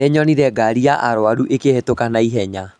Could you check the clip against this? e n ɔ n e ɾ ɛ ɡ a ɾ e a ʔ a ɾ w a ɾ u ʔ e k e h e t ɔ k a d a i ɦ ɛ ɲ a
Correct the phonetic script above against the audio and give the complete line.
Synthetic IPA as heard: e ɲ ɔ n i ɾ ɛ ɡ a ɾ i a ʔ a ɾ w a ɾ u ʔ e k e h e t o k a n a i ɦ ɛ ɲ a